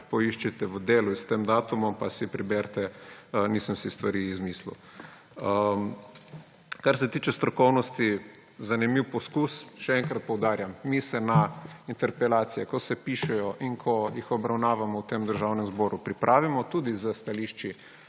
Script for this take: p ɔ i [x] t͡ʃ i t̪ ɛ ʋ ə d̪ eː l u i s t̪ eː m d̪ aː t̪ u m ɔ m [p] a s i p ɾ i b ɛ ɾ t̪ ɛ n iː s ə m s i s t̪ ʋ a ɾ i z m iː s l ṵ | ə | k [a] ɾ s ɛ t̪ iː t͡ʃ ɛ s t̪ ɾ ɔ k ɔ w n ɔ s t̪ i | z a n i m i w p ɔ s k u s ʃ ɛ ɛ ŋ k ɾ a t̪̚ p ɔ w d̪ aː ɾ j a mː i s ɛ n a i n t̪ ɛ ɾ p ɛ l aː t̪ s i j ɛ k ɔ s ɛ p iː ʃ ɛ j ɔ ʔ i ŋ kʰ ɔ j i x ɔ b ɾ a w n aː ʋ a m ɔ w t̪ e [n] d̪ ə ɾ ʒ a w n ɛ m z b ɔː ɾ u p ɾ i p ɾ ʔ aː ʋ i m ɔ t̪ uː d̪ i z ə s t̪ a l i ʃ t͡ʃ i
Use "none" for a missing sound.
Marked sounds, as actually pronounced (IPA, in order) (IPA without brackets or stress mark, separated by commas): ʃ, p, a, m